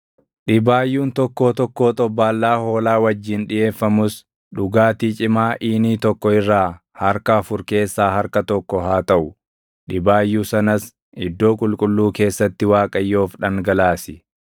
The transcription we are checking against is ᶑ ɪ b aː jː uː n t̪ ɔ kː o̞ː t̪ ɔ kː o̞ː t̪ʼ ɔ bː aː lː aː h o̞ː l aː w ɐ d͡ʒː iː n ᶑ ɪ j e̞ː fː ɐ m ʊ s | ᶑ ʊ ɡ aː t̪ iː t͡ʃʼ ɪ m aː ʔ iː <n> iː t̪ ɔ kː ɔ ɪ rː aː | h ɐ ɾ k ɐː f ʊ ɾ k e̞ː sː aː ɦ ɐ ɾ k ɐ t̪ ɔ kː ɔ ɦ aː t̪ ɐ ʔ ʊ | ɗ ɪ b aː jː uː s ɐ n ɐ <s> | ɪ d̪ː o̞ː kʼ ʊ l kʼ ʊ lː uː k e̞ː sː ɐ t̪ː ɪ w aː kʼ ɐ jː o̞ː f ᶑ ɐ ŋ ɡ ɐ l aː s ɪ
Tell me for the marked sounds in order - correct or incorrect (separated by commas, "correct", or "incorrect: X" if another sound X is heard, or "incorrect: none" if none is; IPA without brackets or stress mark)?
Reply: correct, correct